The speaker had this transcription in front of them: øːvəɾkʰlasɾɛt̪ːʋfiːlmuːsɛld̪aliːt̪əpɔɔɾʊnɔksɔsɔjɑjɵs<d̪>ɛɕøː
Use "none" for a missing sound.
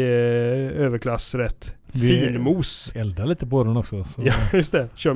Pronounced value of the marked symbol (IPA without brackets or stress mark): t̪